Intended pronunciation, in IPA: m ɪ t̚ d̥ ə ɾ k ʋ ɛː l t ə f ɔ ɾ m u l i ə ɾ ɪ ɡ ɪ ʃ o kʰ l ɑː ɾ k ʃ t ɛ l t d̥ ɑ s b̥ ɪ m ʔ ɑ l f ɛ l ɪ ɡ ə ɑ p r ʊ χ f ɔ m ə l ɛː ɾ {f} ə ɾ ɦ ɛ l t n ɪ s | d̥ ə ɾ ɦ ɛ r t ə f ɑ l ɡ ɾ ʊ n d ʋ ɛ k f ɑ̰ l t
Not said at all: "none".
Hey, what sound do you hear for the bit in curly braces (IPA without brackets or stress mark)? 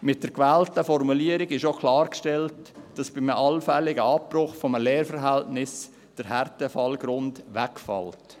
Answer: f